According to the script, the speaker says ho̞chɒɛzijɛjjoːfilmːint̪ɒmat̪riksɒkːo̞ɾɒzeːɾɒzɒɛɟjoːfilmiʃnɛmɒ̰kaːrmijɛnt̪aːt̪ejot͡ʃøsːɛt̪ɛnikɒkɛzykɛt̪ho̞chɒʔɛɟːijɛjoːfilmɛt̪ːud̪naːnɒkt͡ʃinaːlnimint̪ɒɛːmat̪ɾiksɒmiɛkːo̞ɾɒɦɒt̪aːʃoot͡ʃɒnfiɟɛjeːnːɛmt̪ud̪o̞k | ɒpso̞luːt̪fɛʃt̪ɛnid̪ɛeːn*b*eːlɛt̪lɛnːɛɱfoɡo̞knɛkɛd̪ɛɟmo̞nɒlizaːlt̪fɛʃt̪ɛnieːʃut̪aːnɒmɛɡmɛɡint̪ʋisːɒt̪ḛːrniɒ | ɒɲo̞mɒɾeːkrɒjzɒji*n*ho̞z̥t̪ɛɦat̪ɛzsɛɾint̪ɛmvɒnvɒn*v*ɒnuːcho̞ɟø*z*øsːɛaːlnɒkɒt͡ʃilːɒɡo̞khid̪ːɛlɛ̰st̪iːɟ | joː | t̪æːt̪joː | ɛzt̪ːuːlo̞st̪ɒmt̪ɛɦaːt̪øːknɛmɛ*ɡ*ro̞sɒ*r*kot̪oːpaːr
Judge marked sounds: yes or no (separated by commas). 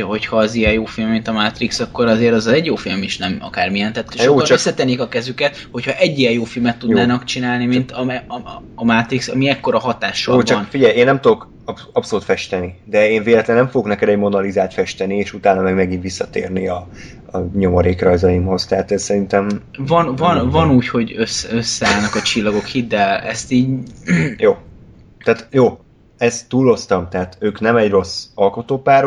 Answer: no, no, yes, no, no, no